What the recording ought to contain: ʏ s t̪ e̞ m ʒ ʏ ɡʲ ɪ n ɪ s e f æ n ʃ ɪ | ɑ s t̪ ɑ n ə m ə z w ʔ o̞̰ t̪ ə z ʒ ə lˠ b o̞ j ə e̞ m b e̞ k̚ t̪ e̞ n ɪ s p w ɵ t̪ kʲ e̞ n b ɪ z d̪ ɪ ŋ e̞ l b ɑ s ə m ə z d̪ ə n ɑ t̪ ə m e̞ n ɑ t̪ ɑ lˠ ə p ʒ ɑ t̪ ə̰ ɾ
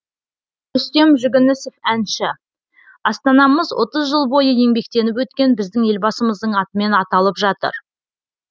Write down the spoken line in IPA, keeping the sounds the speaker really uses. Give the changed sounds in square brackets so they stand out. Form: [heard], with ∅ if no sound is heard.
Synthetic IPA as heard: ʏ s t̪ e̞ m ʒ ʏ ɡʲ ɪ n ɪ s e f æ n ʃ ɪ | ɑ s t̪ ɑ n [ɑ] m ə z w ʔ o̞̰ t̪ ə z ʒ ə lˠ b o̞ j ə e̞ [ŋ] b e̞ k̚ t̪ e̞ n ɪ [∅] p w ɵ t̪ kʲ e̞ n b ɪ z d̪ ɪ ŋ e̞ l b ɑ s ə m ə z d̪ ə [ɴ] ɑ t̪ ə m e̞ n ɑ t̪ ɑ lˠ ə p ʒ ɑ t̪ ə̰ ɾ